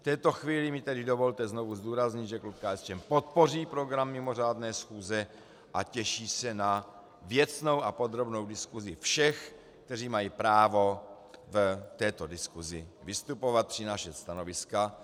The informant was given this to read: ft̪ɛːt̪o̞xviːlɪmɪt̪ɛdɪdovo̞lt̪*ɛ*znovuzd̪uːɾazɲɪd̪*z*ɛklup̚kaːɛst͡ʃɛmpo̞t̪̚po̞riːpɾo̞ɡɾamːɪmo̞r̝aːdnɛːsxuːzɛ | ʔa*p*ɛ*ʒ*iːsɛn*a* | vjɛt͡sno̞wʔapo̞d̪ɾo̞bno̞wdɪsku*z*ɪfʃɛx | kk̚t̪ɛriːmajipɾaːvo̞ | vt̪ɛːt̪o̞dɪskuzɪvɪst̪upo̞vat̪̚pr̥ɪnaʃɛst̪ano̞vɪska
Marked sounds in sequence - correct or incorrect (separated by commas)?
correct, incorrect, incorrect, incorrect, correct, correct